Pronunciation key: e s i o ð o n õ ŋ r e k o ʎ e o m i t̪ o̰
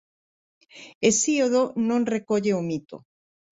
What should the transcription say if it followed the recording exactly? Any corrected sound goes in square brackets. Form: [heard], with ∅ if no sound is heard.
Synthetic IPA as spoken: e s i o ð o n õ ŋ r e k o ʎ e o m i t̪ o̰